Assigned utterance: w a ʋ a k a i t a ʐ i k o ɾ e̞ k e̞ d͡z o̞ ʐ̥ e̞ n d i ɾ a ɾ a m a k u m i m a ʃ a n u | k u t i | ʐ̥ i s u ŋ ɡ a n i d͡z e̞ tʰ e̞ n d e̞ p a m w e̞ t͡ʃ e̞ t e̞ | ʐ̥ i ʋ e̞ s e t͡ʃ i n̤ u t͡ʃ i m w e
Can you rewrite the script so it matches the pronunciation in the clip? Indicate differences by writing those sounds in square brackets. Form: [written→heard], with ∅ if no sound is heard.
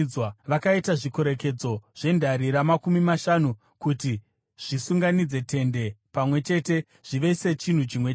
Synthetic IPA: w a ʋ a k a i t a ʐ i k o ɾ e̞ k e̞ d͡z o̞ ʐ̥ e̞ n d [i→a] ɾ [a→i] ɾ a m a k u m i m a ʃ a n u | k u t i | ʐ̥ i s u ŋ ɡ a n i d͡z e̞ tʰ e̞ n d e̞ p a m w e̞ t͡ʃ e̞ t e̞ | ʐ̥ i ʋ e̞ s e t͡ʃ i n̤ u t͡ʃ i m w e